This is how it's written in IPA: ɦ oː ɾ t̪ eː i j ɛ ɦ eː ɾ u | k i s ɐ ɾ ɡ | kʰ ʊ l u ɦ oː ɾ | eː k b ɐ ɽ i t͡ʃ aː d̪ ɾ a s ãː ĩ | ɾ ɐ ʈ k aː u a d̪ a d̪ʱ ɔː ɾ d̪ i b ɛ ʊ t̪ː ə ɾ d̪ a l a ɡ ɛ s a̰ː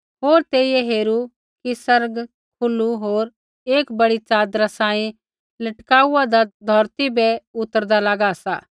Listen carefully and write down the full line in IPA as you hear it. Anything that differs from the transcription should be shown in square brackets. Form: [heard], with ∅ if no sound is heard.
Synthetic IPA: ɦ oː ɾ t̪ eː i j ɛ ɦ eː ɾ u | k i s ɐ ɾ ɡ | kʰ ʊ l u ɦ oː ɾ | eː k b ɐ ɽ i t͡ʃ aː d̪ ɾ a s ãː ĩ | [l] ɐ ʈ k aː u a d̪ a d̪ʱ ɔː ɾ [t̪] i b ɛ ʊ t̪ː ə ɾ d̪ a l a ɡ [a] s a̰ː